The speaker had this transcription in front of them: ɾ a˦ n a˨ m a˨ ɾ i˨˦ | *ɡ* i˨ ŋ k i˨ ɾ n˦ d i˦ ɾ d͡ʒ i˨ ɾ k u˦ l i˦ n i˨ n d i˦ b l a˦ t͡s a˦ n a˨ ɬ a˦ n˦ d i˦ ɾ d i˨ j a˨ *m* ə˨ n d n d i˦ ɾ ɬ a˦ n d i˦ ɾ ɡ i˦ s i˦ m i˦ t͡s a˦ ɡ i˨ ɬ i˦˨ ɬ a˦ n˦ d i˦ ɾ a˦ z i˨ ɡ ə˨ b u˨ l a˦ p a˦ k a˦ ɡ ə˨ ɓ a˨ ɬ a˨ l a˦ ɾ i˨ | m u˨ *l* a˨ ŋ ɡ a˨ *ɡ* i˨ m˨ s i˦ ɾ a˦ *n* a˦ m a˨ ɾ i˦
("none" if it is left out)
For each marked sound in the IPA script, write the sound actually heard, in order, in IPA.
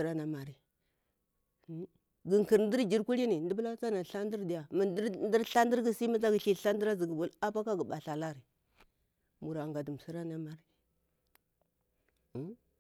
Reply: ɡ, m, ɾ, d, n

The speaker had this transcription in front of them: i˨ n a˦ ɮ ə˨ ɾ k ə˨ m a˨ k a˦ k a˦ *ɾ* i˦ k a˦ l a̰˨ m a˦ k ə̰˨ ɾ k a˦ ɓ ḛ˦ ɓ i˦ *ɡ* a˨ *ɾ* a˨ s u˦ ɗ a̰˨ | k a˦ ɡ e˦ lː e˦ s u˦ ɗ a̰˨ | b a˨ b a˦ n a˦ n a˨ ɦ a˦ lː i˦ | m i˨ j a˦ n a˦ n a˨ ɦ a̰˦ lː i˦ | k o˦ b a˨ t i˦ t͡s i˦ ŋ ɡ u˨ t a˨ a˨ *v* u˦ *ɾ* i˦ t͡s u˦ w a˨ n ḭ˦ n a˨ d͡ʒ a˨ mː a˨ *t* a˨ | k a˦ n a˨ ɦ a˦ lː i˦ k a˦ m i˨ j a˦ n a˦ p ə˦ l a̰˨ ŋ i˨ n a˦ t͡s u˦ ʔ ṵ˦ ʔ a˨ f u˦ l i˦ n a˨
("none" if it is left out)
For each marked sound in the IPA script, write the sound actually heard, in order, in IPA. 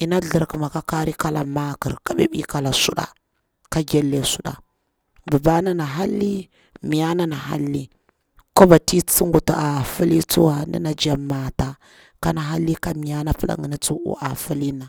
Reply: ɾ, k, l, f, l, t

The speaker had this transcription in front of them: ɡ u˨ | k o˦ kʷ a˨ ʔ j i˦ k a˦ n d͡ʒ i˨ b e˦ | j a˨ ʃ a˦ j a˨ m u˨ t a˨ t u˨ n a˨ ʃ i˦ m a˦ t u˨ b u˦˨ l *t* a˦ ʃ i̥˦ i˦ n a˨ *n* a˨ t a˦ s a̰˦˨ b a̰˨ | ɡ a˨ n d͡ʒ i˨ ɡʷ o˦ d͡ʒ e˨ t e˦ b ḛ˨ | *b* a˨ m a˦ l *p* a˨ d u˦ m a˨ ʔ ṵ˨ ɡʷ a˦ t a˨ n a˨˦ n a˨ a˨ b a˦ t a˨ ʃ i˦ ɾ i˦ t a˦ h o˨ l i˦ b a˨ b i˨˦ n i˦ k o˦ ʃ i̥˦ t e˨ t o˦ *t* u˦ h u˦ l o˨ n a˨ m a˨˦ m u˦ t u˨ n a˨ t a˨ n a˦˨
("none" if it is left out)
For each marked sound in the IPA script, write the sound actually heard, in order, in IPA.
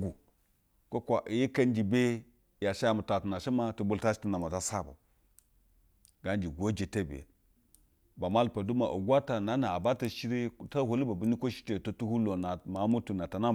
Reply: t, m, b, p, t

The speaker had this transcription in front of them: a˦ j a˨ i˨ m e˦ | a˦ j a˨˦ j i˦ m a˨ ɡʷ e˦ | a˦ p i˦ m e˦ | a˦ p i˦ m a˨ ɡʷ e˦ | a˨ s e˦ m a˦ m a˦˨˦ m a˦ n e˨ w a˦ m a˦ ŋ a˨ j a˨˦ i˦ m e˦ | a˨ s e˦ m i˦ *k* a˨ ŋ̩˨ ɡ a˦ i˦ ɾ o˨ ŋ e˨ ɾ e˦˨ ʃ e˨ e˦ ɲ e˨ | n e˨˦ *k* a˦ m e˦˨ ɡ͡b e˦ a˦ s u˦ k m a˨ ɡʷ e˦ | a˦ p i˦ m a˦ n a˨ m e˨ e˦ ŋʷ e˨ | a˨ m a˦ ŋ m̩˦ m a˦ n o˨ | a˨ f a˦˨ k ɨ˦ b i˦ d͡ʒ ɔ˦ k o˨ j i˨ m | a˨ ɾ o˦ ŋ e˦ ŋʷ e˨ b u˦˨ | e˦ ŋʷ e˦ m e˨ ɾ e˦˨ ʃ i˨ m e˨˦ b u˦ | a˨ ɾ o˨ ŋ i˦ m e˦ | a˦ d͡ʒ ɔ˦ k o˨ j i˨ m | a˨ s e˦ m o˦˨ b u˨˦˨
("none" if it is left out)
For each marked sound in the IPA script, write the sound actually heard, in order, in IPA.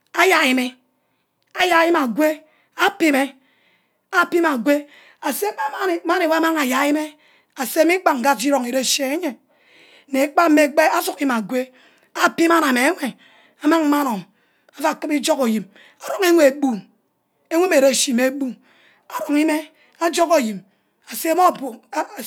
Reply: k͡p, k͡p

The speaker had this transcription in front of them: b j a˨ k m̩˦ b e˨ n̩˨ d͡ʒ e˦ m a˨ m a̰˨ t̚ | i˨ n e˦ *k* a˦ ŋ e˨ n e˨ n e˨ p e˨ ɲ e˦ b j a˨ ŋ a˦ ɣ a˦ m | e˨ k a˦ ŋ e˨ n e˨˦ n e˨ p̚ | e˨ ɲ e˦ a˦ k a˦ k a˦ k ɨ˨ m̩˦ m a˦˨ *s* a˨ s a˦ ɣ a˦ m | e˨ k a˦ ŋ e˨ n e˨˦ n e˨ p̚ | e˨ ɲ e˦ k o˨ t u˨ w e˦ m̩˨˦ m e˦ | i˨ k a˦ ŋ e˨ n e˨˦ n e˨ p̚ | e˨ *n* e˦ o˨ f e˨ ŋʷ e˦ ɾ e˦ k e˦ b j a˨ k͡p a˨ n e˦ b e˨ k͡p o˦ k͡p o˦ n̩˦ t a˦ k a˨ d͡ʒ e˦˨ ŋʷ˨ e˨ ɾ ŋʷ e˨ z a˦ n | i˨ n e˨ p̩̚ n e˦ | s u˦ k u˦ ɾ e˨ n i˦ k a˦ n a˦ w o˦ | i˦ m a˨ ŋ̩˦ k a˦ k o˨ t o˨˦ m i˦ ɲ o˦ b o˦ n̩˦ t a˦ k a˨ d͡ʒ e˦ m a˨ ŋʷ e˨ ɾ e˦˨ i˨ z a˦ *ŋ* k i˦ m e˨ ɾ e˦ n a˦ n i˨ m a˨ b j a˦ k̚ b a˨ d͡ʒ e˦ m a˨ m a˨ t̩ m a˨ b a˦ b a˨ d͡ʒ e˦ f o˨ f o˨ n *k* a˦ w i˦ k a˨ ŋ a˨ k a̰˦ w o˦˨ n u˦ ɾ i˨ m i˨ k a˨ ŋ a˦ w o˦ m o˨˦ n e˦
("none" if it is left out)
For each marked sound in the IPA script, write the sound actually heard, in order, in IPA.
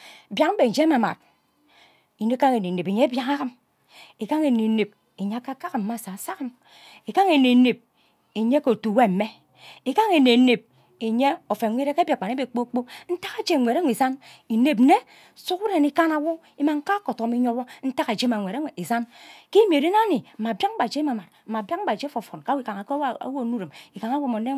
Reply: k, s, ɲ, n, k

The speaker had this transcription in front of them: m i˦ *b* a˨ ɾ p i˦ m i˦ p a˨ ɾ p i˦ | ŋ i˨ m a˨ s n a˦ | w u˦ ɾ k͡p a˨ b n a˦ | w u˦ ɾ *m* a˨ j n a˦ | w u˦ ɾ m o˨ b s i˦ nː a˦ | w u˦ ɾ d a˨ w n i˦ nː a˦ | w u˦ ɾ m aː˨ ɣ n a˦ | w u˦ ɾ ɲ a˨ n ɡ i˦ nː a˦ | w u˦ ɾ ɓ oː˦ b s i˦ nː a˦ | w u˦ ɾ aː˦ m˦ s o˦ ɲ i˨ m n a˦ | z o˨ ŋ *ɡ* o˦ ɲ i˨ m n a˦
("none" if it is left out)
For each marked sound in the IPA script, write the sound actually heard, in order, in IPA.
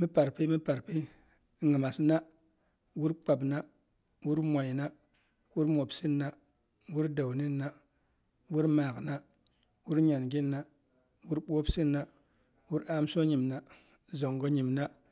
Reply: p, m, ɡ

